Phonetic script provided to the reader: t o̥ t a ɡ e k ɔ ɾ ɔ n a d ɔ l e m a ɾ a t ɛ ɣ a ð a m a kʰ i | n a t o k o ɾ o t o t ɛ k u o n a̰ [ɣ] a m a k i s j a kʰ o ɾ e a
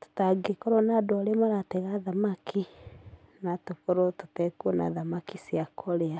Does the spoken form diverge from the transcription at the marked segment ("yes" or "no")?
yes